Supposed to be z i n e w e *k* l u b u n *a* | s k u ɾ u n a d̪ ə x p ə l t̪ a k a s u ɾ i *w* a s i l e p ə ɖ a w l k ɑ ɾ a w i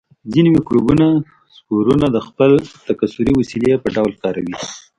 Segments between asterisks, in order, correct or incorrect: correct, correct, correct

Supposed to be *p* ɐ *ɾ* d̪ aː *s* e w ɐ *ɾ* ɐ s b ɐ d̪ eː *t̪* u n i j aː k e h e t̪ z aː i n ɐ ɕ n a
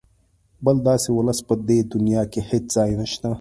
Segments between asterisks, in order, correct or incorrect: incorrect, incorrect, correct, incorrect, incorrect

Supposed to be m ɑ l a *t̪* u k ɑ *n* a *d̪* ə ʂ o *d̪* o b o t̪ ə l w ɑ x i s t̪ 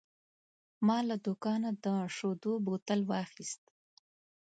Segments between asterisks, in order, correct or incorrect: incorrect, correct, correct, correct

